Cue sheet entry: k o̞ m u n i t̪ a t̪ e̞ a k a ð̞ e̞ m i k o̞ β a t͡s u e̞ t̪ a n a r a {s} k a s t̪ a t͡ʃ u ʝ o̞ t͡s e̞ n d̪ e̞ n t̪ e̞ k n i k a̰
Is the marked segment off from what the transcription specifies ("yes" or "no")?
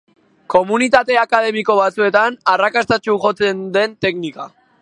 yes